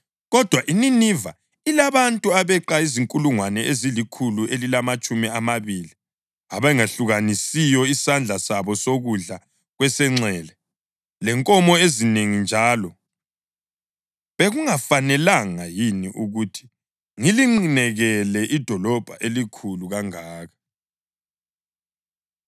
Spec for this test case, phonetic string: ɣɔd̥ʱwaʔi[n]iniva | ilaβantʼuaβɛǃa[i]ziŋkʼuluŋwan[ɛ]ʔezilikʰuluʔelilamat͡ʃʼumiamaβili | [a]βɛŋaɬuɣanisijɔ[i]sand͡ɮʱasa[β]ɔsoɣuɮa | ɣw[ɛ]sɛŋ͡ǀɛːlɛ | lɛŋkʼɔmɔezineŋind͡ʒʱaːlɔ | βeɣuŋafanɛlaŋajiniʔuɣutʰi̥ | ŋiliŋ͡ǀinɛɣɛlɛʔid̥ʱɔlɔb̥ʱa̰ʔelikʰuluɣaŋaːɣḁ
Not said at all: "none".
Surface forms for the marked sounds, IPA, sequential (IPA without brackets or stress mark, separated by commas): n, i, ɛ, a, i, β, ɛ